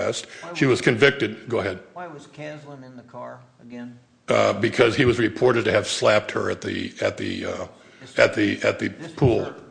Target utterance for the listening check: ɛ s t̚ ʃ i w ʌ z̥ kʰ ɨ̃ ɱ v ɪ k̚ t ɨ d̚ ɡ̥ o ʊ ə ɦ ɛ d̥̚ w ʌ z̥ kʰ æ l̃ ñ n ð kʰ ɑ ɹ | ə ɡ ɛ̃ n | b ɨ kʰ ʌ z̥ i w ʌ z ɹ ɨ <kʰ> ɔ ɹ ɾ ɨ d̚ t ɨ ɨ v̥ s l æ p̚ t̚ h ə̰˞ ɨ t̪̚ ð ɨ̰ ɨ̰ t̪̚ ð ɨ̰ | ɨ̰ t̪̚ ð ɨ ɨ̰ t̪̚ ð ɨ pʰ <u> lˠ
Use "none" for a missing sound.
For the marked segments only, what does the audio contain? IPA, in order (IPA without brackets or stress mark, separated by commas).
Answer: pʰ, u